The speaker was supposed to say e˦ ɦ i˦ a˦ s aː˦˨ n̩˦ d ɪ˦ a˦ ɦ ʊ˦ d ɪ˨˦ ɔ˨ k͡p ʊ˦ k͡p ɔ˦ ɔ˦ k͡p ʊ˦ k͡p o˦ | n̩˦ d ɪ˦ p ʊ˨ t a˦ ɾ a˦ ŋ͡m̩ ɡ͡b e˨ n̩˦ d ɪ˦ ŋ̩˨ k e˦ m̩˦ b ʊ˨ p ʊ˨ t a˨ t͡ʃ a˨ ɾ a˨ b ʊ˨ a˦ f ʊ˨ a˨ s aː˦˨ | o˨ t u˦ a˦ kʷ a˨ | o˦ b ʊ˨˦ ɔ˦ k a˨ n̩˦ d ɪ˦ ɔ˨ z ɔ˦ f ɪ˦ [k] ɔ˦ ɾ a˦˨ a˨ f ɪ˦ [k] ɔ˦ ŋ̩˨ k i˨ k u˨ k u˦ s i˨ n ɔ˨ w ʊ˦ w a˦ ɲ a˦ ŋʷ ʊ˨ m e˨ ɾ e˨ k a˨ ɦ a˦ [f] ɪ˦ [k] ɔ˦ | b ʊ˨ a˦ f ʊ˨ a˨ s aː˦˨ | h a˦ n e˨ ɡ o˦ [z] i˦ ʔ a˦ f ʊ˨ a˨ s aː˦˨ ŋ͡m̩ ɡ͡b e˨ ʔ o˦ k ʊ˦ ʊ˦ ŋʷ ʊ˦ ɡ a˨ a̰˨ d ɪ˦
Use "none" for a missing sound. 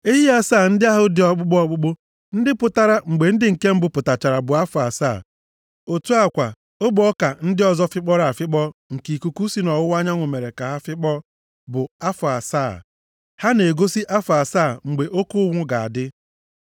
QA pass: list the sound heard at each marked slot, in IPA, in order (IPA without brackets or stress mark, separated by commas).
k͡p, k͡p, f, k͡p, s